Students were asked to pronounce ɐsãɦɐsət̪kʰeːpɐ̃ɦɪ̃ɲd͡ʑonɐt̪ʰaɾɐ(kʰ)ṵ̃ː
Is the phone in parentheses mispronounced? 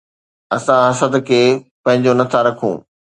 no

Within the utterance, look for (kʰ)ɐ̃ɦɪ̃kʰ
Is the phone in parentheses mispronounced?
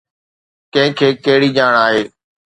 yes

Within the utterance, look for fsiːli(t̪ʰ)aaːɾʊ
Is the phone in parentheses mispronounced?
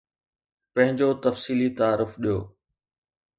yes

